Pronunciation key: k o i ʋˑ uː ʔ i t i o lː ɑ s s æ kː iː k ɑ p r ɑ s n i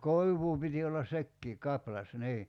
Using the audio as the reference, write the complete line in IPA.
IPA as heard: k o i ʋˑ uː p i t i o lː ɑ s s e kː iː k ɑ p l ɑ s n iː